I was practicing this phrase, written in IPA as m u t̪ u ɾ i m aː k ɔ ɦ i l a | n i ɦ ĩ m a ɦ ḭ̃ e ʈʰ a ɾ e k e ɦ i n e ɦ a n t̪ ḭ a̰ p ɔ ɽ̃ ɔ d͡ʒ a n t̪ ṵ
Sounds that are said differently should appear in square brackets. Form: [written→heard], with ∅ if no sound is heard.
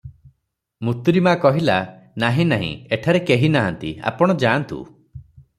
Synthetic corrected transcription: m u t̪ u ɾ i m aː k ɔ ɦ i l a | n [i→a] ɦ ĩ [m→n] a ɦ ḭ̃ e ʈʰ a ɾ e k e ɦ i n [e→a] ɦ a n t̪ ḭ a̰ p ɔ ɽ̃ ɔ d͡ʒ a n t̪ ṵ